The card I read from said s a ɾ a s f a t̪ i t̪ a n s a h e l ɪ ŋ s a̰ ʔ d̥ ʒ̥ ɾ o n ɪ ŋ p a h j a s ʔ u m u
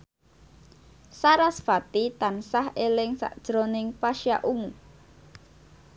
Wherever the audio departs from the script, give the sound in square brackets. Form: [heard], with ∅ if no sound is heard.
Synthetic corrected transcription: s a ɾ a s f a t̪ i t̪ a n s a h e l ɪ ŋ s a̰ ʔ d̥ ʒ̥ ɾ o n ɪ ŋ p a [ʃ] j a [∅] ʔ u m u

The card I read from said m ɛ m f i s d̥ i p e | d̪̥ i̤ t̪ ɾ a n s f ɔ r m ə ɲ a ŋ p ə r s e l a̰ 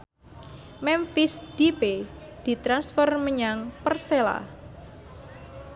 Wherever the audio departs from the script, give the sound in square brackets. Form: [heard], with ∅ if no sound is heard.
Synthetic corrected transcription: m ɛ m f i s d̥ i p e | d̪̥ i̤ t̪ ɾ a n s f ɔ r m ə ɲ a ŋ p ə r s e l a̰

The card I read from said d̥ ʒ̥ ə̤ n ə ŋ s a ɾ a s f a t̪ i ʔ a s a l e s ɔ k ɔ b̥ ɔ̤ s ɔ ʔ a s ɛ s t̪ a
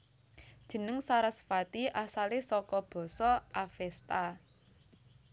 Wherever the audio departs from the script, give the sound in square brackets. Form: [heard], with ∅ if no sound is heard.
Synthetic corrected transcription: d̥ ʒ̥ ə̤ n ə ŋ s a ɾ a s f a t̪ i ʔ a s a l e s ɔ k ɔ b̥ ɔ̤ s ɔ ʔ a [f] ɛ s t̪ a

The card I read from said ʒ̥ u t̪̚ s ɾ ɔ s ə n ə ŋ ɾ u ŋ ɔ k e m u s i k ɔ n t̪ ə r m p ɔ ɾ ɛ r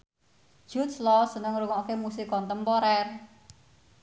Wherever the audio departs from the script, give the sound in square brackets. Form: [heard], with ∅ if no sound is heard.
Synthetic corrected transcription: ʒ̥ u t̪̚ s [l] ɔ s ə n ə ŋ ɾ u ŋ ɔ k e m u s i k ɔ n t̪ ə [∅] m p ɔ ɾ ɛ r

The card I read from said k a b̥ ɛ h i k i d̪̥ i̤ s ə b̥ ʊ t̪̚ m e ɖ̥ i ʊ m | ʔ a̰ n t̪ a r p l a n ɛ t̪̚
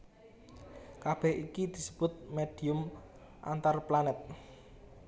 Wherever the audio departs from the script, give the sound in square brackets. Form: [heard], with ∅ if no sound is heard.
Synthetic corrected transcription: k a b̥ ɛ h i k i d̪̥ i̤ s ə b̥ ʊ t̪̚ m e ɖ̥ i ʊ m | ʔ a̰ n t̪ a r p l a n ɛ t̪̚

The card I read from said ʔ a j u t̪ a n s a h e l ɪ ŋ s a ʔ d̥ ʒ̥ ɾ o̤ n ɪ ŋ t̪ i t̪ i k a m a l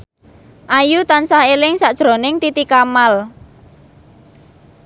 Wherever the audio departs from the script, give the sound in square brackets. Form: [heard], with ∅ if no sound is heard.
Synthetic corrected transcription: ʔ a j u t̪ a n s a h e l ɪ ŋ s a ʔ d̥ ʒ̥ ɾ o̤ n ɪ ŋ t̪ i t̪ i k a m a l

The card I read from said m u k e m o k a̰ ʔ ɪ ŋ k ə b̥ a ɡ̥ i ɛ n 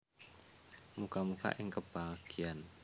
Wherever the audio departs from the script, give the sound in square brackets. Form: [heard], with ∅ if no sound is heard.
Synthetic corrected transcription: m u k [a] m [u] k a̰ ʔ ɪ ŋ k ə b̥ a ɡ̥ i [a] n

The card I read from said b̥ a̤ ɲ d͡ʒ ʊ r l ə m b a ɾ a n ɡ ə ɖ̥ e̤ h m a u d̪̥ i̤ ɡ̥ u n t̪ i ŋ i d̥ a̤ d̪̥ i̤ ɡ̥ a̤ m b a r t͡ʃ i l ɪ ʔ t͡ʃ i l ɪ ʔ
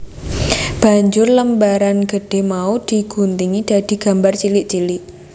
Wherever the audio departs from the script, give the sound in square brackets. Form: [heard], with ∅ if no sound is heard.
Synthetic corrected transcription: b̥ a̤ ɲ d͡ʒ ʊ r l ə m b a ɾ a n ɡ ə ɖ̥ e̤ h m a u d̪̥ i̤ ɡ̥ u n t̪ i ŋ i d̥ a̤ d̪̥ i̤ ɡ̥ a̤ m b a r t͡ʃ i l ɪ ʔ t͡ʃ i l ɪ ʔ

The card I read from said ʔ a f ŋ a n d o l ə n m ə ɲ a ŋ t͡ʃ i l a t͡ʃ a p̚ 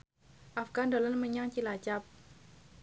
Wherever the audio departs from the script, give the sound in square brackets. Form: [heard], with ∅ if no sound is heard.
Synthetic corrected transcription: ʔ a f [ɡ] a n d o l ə n m ə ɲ a ŋ t͡ʃ i l a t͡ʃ a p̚

